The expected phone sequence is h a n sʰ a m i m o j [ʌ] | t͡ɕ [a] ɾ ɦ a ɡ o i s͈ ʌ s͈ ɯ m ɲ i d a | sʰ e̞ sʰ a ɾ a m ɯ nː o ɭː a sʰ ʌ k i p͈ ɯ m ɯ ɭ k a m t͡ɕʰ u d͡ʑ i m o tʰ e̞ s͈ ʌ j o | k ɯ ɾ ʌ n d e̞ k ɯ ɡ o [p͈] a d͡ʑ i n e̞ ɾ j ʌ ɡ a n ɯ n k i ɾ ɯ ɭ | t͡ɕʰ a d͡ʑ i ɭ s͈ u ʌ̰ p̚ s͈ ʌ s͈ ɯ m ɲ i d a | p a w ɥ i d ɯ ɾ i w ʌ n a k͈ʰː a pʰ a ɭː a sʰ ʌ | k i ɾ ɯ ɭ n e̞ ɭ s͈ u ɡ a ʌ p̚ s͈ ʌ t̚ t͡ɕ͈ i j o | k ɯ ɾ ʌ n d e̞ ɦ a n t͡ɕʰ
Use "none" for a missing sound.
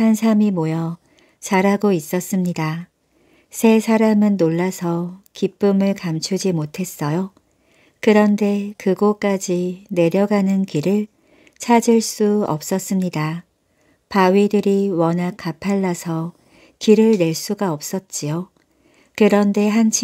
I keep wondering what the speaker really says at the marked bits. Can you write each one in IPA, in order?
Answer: ʌ, a, k͈

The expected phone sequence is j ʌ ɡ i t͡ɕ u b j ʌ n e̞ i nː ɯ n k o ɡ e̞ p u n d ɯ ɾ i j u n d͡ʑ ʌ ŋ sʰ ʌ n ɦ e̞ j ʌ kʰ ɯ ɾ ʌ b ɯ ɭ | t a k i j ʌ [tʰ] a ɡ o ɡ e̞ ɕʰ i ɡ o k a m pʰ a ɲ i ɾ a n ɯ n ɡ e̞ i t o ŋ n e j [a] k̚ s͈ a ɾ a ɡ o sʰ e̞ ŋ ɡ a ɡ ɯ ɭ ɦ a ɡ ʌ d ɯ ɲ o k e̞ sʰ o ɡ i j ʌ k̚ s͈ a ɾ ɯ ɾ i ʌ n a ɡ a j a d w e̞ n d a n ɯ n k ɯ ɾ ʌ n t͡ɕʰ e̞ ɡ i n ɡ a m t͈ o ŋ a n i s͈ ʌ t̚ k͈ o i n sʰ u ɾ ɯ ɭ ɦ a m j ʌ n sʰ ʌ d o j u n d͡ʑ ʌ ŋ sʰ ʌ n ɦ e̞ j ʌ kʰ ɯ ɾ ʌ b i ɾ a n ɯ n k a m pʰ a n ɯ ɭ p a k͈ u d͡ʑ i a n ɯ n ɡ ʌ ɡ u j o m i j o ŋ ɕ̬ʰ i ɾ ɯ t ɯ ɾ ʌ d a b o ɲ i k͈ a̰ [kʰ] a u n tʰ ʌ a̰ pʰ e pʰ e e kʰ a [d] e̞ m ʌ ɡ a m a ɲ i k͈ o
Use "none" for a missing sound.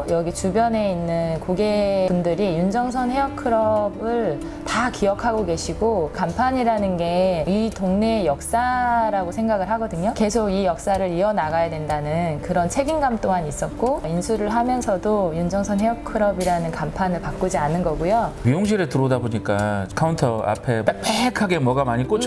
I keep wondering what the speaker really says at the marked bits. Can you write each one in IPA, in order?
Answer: kʰ, ʌ, kʰ, ɡ

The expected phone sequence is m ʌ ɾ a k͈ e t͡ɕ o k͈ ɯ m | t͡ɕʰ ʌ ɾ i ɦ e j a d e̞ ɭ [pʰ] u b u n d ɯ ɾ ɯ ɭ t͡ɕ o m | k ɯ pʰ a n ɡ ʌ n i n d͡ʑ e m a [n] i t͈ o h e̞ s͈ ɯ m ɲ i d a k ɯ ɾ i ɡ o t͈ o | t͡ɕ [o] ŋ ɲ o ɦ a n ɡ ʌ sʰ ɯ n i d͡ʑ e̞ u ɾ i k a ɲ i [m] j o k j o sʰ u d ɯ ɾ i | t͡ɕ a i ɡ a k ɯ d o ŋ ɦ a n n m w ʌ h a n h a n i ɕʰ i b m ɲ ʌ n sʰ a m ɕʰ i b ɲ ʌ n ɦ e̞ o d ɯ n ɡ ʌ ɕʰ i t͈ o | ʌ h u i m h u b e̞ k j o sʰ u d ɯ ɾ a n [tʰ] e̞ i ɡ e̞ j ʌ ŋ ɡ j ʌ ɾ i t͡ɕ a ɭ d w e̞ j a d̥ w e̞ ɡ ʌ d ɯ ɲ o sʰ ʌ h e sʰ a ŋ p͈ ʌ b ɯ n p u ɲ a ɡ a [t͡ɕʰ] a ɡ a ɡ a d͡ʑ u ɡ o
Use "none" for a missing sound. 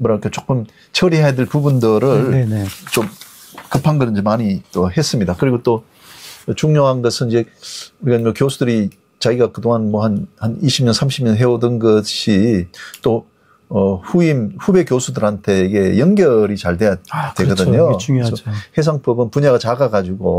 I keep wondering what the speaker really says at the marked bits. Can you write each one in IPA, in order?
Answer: p, ɲ, u, m, tʰ, t͡ɕ

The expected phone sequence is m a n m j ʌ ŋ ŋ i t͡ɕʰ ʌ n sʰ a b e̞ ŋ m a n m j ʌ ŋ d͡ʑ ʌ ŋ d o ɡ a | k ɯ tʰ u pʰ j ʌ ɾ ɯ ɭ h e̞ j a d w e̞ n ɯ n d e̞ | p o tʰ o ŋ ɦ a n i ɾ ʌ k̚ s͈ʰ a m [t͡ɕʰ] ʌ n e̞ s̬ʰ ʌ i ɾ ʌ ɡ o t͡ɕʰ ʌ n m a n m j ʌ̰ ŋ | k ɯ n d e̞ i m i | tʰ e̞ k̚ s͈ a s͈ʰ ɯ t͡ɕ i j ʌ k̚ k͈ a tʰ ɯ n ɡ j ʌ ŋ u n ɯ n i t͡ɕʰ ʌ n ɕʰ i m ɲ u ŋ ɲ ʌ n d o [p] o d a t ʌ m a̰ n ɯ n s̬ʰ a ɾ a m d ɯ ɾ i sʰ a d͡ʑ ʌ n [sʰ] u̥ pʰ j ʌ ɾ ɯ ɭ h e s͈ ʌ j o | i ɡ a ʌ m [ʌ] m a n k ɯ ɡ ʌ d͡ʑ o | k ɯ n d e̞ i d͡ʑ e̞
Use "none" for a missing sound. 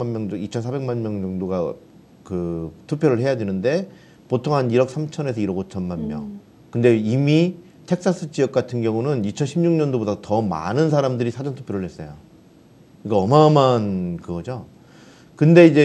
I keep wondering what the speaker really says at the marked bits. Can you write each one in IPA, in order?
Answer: t͡ɕʰ, b, tʰ, a

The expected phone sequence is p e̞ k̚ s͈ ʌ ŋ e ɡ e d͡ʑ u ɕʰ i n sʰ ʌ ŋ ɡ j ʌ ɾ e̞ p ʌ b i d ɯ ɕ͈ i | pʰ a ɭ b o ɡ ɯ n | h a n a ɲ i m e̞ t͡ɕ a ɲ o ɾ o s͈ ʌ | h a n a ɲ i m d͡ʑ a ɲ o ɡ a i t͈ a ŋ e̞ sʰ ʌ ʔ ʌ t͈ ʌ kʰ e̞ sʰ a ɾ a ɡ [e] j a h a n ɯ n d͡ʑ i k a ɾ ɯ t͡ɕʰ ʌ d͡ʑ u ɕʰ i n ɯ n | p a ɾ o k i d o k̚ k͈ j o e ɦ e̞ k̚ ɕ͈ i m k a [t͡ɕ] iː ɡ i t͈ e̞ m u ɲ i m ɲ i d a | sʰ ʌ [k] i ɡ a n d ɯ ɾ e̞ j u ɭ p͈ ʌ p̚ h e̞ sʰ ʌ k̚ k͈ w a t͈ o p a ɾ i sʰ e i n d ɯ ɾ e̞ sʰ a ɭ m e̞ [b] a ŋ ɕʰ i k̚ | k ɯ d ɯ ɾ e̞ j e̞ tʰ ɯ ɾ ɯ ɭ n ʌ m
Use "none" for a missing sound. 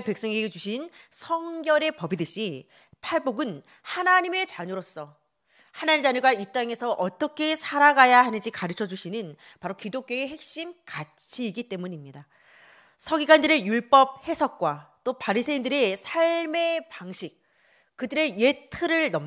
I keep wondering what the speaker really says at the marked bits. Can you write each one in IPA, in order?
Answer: a, t͡ɕʰ, ɡ, p

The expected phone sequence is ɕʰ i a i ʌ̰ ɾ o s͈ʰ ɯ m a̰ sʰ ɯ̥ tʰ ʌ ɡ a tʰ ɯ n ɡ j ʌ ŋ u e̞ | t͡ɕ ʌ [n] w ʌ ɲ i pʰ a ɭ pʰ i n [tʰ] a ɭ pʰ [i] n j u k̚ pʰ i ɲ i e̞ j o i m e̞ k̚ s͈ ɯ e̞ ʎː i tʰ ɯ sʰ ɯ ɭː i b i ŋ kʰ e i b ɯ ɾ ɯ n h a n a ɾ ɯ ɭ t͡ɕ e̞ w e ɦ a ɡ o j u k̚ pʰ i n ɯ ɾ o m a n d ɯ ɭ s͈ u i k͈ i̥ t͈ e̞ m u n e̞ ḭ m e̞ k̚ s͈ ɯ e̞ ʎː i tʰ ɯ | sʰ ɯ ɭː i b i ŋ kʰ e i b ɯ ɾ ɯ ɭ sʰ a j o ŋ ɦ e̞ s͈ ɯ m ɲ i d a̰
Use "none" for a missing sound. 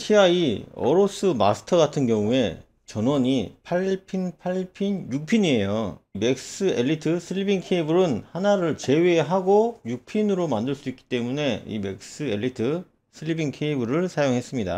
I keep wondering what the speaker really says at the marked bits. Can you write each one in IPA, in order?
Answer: n, pʰ, i

